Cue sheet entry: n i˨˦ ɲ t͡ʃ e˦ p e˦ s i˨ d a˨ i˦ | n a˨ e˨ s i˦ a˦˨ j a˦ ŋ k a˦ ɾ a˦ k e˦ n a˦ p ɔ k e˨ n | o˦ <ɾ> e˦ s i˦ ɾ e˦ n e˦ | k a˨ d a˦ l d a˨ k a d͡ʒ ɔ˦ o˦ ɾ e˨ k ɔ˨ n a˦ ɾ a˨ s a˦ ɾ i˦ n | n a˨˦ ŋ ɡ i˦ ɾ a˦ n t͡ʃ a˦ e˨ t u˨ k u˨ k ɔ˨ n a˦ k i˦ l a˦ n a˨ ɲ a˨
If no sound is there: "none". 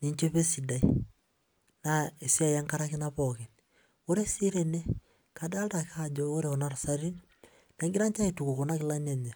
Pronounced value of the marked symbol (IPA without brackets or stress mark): ɾ